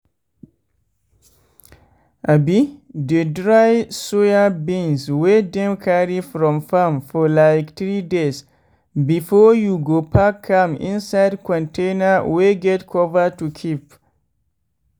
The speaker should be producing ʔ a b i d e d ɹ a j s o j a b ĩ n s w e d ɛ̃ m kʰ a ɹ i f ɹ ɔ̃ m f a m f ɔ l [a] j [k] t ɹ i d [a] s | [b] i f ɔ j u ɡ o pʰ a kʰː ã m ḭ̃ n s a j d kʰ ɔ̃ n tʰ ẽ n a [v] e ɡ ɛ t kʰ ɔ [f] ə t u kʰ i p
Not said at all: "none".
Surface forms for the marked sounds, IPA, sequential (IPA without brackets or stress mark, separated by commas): a, k, e, b, w, v